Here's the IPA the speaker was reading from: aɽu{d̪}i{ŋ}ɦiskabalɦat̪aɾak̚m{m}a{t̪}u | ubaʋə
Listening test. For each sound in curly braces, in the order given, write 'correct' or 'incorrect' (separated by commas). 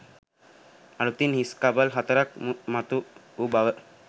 incorrect, incorrect, correct, correct